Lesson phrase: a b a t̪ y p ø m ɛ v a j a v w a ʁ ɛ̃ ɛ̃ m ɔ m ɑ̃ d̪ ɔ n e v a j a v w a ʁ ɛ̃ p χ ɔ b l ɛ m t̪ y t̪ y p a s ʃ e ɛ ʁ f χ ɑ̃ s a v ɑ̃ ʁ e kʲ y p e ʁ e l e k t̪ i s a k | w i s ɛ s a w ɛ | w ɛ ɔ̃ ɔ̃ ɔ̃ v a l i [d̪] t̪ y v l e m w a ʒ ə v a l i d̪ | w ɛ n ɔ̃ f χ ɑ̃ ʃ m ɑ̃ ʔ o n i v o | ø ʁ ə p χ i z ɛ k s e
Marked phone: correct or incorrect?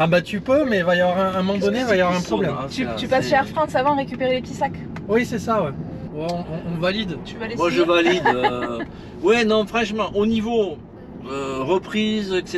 correct